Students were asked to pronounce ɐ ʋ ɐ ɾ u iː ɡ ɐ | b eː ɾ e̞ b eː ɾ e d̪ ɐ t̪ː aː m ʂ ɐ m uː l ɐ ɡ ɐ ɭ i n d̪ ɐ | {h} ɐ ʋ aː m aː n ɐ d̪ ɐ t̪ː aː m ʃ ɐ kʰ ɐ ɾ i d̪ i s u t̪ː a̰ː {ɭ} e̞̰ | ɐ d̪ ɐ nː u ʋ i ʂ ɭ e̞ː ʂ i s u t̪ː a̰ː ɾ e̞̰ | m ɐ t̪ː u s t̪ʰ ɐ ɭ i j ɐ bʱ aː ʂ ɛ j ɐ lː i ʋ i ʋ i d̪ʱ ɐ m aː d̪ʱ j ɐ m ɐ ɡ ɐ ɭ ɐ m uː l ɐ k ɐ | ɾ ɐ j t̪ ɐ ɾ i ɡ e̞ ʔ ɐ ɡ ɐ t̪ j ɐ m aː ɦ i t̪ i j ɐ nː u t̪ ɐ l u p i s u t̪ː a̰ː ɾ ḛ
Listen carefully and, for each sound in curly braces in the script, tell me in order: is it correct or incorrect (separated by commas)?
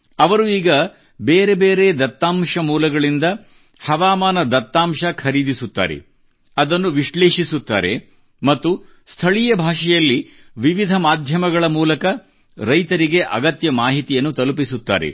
correct, incorrect